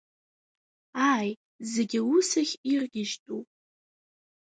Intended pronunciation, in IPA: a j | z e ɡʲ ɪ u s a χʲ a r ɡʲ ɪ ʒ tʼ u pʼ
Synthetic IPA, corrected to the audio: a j | z e ɡʲ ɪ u s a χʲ i r ɡʲ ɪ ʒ tʼ u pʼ